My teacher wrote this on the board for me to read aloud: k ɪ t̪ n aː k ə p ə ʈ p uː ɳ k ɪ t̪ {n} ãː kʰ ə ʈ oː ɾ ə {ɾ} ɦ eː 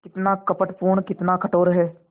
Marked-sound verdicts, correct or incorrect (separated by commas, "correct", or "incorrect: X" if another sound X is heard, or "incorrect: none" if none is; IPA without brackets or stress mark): correct, incorrect: none